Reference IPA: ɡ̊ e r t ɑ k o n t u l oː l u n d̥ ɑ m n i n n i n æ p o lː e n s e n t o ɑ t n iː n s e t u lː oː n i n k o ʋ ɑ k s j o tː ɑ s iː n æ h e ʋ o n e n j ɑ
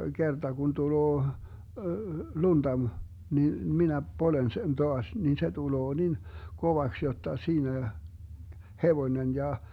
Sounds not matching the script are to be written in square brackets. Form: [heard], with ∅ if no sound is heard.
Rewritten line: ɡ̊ e r t ɑ k [u] n t u l oː l u n d̥ ɑ m n i n [m] i n æ p o [l] e n s e n t o ɑ [s] n [i] n s e t u [l] oː n i n k o ʋ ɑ k s j o tː ɑ s iː n æ h e ʋ o n e n j ɑ